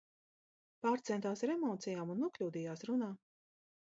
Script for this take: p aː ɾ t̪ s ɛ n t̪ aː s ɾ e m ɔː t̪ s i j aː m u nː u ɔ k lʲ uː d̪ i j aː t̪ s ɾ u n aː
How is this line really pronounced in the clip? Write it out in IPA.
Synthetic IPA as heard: p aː ɾ t̪ s ɛ n t̪ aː s ɾ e m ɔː t̪ s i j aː m u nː u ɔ k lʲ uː d̪ i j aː s ɾ u n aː